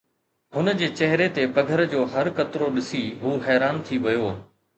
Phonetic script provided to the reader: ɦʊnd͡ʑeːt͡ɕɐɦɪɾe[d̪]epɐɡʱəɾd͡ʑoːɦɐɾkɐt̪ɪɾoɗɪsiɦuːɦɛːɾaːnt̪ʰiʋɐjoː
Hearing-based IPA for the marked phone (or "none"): t̪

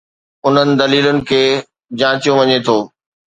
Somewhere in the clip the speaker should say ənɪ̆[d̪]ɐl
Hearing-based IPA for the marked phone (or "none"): d̪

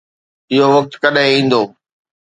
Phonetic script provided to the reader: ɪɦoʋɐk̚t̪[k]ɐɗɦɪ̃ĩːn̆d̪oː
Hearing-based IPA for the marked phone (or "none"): k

